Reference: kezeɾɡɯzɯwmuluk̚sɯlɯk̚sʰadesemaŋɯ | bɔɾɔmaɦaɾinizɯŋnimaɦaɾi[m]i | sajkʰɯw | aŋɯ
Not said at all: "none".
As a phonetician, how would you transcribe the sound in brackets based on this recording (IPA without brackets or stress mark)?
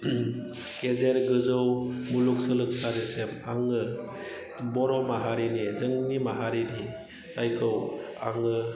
n